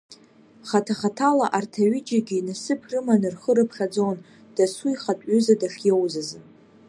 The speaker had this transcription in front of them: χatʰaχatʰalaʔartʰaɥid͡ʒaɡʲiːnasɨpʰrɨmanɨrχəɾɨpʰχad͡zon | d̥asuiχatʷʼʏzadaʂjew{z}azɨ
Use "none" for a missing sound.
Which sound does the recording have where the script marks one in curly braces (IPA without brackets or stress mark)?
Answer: z